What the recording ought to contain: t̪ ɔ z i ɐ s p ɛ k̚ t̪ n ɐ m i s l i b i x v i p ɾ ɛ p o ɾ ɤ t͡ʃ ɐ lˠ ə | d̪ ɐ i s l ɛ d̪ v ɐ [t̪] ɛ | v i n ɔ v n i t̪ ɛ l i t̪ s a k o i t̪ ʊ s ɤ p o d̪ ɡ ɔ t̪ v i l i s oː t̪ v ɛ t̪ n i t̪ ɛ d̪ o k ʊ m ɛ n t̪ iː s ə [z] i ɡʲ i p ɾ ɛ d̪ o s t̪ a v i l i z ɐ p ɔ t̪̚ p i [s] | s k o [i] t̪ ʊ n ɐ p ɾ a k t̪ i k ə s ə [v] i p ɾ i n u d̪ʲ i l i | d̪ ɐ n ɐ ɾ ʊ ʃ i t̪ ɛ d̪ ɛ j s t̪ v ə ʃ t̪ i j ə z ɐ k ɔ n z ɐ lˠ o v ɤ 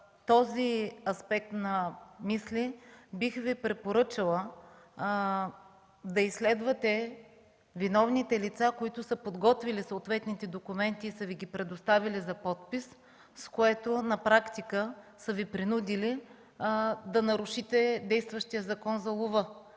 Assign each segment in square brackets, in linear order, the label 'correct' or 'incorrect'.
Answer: correct, incorrect, correct, incorrect, correct

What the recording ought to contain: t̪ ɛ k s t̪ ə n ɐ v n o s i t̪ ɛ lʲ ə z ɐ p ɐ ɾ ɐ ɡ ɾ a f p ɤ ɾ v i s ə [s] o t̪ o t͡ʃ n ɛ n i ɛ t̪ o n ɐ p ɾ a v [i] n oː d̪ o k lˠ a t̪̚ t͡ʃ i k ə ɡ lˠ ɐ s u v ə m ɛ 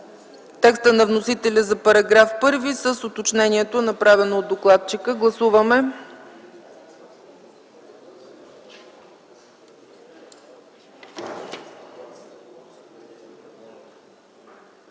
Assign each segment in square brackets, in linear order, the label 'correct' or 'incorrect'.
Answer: correct, incorrect

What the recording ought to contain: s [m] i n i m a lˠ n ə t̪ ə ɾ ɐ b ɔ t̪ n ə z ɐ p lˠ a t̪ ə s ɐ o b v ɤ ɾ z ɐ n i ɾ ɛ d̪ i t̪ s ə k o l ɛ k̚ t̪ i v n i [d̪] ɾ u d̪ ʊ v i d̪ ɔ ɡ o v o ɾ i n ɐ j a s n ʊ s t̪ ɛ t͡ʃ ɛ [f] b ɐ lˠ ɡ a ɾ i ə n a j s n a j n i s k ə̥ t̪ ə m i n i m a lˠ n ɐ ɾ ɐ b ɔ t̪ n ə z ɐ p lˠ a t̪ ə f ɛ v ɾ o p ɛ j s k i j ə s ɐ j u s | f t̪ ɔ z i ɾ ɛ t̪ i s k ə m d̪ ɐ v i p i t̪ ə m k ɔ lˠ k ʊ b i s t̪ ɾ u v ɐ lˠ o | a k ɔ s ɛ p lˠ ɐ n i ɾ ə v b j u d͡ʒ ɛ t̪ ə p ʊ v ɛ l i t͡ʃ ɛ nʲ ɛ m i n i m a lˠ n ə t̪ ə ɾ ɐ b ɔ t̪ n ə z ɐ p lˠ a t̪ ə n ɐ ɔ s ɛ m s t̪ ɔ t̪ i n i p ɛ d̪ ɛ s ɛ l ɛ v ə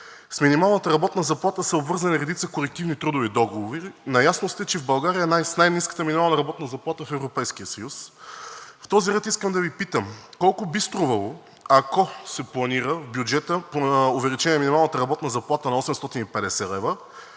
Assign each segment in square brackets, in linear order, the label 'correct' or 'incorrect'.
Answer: correct, incorrect, incorrect

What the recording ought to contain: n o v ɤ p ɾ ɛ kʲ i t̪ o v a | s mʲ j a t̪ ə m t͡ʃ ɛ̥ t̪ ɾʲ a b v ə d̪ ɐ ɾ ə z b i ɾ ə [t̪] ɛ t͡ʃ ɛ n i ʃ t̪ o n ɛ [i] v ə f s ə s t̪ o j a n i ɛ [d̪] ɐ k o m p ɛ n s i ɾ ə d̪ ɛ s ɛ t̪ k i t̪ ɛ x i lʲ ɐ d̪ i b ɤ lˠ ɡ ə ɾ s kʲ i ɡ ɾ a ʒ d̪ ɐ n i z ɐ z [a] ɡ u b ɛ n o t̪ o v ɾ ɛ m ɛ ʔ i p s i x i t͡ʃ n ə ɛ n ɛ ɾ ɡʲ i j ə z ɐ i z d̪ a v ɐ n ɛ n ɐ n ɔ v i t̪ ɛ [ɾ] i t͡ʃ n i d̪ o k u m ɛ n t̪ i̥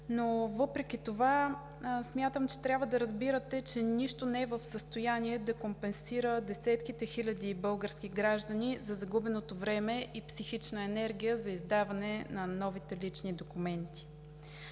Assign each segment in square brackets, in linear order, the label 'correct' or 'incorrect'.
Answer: correct, incorrect, correct, incorrect, incorrect

